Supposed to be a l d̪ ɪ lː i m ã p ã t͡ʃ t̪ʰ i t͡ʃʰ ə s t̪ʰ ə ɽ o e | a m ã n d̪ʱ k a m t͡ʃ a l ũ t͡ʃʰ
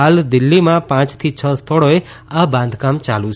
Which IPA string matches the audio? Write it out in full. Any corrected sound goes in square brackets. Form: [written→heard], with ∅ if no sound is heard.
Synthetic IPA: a l d̪ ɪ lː i m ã p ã t͡ʃ t̪ʰ i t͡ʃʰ ə s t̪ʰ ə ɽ o e | a [m→b] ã n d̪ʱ k a m t͡ʃ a l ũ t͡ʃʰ